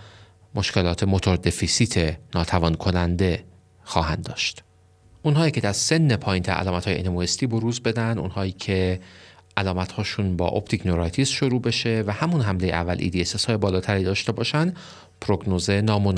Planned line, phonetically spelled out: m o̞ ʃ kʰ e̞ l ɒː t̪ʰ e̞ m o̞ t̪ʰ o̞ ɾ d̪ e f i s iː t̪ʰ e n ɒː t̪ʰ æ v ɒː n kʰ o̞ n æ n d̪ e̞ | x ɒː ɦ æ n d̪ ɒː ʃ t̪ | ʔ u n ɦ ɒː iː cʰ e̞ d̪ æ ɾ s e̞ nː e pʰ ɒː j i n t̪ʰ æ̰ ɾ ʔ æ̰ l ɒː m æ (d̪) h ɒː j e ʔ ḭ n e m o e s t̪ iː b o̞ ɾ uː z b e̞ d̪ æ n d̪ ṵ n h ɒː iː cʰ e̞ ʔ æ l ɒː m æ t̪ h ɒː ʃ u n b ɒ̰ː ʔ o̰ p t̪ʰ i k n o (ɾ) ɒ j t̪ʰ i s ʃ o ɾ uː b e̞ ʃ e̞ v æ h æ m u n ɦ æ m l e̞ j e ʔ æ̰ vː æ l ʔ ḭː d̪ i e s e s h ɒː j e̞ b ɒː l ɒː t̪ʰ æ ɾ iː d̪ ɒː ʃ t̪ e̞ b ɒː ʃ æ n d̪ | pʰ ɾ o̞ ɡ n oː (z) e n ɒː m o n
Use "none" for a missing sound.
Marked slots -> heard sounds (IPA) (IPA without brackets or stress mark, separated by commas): t̪, ɾ, z